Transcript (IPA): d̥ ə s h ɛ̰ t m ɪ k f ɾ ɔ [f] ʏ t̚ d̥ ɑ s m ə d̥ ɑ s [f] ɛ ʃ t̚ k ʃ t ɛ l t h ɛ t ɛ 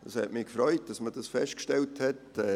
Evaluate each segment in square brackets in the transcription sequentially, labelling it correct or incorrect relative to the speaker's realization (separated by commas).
incorrect, correct